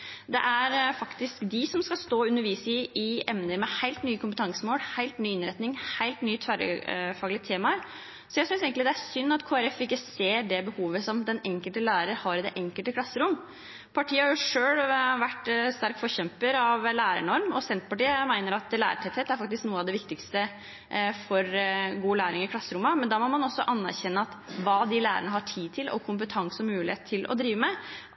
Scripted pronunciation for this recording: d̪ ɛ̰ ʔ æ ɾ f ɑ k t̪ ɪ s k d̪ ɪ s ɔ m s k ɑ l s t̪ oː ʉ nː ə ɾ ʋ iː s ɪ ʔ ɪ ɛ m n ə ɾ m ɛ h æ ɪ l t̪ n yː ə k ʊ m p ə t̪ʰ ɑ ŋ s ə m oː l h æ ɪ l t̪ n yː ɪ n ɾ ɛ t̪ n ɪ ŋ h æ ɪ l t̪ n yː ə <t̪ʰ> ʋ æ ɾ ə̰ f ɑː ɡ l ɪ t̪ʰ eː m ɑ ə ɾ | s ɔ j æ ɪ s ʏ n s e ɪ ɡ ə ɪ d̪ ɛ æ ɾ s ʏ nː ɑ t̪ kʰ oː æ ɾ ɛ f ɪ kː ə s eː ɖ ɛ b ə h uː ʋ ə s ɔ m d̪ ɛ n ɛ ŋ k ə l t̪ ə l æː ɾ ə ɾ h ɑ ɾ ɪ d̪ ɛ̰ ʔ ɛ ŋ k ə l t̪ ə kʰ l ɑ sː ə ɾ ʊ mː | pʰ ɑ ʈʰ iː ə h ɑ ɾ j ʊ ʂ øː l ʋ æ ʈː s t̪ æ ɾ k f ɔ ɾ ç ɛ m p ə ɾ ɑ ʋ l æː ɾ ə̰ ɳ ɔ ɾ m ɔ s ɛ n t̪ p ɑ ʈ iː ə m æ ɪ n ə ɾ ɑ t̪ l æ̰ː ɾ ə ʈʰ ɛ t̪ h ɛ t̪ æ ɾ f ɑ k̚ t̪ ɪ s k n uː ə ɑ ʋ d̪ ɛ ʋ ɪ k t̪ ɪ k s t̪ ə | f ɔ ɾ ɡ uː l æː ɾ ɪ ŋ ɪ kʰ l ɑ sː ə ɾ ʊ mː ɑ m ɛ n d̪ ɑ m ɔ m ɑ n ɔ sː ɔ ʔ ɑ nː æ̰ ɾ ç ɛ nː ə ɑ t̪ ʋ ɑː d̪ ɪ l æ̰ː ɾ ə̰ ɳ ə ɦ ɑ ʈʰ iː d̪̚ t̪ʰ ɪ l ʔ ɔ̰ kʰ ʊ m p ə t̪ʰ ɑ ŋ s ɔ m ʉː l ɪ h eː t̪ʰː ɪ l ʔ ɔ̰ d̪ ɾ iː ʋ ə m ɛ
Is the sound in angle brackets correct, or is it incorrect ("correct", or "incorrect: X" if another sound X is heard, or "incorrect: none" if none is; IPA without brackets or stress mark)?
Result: correct